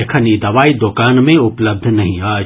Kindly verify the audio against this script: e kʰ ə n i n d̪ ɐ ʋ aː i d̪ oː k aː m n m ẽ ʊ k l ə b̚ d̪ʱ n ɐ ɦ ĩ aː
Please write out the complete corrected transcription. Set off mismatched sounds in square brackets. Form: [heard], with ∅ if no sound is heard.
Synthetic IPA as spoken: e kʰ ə n i [∅] d̪ ɐ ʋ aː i d̪ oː k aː [∅] n m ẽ ʊ [p] l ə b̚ d̪ʱ n ɐ ɦ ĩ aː